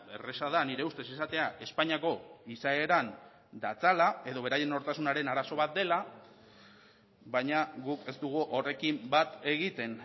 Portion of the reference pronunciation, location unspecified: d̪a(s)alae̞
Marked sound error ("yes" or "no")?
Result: yes